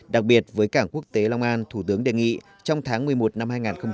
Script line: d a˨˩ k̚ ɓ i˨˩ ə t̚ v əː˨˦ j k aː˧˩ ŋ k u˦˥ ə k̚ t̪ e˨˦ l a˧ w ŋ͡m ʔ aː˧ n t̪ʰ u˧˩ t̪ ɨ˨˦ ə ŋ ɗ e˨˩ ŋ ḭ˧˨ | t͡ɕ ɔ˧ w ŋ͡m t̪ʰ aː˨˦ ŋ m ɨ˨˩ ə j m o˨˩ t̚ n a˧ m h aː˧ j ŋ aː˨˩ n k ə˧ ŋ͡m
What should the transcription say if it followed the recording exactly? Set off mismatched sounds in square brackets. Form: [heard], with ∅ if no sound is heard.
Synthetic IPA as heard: [ɗ] a˨˩ k̚ ɓ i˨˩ ə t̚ v əː˨˦ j k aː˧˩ ŋ k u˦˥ ə k̚ t̪ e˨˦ l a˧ w ŋ͡m ʔ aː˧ n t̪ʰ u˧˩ t̪ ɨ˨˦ ə ŋ ɗ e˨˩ ŋ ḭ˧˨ | t͡ɕ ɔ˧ w ŋ͡m t̪ʰ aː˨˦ ŋ m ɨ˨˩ ə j m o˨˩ t̚ n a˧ m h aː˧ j ŋ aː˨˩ n [x] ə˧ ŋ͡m